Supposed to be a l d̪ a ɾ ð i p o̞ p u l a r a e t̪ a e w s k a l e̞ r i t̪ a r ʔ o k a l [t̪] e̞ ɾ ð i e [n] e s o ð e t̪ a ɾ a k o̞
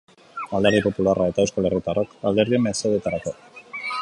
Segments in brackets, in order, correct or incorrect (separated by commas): incorrect, incorrect